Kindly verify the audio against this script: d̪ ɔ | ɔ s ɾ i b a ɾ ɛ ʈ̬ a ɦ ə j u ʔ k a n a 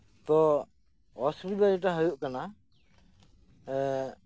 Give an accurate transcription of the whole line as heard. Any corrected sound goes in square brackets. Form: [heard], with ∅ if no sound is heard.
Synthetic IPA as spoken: [t̪] ɔ | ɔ s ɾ i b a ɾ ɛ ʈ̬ a ɦ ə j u ʔ k a n a